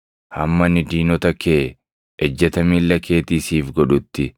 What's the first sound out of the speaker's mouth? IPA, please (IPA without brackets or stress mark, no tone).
h